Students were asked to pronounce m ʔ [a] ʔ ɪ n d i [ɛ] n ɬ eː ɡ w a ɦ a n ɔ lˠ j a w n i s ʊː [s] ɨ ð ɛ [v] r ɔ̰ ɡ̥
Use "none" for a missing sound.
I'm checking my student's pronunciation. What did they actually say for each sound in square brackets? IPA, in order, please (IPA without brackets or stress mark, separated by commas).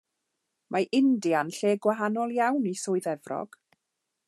a, a, none, v